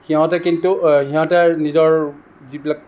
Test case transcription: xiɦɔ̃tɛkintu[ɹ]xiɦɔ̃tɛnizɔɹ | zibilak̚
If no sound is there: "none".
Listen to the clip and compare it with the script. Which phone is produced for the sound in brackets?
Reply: none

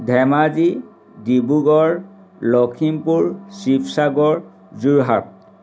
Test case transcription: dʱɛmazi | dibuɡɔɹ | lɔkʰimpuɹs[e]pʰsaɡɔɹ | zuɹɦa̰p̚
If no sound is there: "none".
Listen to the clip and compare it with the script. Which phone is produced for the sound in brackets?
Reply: i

